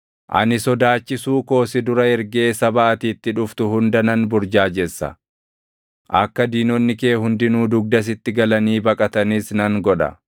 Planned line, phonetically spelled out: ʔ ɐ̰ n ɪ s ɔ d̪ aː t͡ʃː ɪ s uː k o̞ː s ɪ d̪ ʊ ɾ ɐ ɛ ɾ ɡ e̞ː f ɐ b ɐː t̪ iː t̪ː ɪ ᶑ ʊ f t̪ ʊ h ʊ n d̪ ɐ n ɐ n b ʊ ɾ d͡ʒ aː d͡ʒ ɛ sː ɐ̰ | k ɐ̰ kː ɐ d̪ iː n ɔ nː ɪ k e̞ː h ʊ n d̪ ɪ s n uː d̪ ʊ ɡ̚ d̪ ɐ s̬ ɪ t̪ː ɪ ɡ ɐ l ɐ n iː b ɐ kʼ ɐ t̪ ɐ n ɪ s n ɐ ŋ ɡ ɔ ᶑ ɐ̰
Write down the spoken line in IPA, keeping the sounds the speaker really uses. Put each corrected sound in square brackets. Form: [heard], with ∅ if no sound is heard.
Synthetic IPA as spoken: ʔ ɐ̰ n ɪ s ɔ d̪ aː t͡ʃː ɪ s uː k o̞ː s ɪ d̪ ʊ ɾ ɐ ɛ ɾ ɡ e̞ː [s] ɐ b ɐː t̪ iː t̪ː ɪ ᶑ ʊ f t̪ ʊ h ʊ n d̪ ɐ n ɐ n b ʊ ɾ d͡ʒ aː d͡ʒ ɛ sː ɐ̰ | [ʔ] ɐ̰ kː ɐ d̪ iː n ɔ nː ɪ k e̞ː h ʊ n d̪ ɪ [∅] n uː d̪ ʊ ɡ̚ d̪ ɐ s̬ ɪ t̪ː ɪ ɡ ɐ l ɐ n iː b ɐ kʼ ɐ t̪ ɐ n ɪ s n ɐ ŋ ɡ ɔ ᶑ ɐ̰